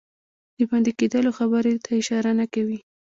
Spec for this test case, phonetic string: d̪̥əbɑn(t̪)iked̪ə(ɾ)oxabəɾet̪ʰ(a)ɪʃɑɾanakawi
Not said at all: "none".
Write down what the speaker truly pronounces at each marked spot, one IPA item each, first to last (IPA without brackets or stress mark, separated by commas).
d̪, l, a